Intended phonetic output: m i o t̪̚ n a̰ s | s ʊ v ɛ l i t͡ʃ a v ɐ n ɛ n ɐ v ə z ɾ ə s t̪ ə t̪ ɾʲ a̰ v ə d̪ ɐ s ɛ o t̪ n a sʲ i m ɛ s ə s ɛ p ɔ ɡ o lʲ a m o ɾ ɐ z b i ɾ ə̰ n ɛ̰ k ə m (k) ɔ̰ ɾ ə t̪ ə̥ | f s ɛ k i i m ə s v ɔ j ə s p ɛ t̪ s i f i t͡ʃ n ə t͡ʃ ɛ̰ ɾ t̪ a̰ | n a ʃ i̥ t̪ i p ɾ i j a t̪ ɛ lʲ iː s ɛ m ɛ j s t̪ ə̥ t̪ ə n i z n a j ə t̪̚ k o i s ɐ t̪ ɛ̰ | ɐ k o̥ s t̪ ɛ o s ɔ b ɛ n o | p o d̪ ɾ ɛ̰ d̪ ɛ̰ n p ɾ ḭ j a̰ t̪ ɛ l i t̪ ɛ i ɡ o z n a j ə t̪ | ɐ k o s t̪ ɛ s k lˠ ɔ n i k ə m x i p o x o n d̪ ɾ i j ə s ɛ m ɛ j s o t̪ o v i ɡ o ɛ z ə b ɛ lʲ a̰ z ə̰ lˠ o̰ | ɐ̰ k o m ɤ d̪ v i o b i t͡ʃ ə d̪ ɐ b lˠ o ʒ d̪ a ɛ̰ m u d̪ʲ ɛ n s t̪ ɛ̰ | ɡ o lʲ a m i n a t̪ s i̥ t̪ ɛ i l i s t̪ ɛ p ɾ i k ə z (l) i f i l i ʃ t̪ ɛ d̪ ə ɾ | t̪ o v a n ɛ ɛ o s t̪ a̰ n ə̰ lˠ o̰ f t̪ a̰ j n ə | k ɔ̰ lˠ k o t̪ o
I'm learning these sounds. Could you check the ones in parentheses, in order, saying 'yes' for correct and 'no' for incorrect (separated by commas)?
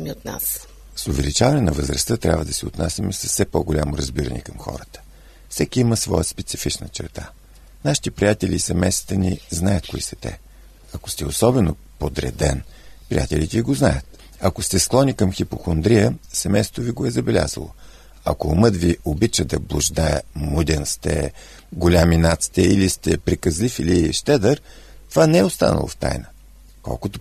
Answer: no, yes